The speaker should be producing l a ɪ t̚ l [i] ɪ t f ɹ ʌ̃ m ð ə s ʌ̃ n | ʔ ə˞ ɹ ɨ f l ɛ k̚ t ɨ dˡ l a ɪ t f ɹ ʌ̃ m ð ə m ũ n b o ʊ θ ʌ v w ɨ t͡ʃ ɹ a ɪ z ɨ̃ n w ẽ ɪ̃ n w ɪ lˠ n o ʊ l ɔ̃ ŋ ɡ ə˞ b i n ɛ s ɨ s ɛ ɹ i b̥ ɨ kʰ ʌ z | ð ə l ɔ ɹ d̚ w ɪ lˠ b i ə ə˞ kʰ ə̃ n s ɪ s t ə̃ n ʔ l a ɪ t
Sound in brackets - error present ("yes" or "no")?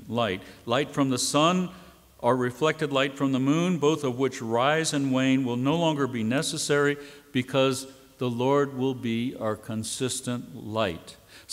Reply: yes